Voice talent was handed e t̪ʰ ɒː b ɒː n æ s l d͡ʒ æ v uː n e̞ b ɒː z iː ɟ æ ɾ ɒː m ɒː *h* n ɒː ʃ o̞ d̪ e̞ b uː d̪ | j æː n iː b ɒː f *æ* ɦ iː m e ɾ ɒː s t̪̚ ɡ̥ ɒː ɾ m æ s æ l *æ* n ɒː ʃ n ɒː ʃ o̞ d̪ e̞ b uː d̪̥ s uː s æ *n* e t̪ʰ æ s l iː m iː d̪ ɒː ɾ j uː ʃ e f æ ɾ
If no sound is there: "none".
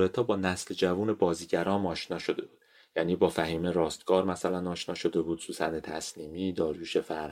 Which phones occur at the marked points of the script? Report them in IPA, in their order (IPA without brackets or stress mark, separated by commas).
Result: ʃ, æ, æ, n